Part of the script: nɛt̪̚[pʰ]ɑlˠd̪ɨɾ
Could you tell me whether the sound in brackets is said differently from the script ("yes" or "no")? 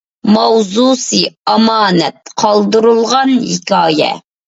yes